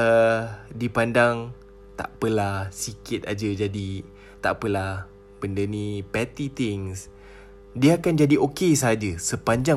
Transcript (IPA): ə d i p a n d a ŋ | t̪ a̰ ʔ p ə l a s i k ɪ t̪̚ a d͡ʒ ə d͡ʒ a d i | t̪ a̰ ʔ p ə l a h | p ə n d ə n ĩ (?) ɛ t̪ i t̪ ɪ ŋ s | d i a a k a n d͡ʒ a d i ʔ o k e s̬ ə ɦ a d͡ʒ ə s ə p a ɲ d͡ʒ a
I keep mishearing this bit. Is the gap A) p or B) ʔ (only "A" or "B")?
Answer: A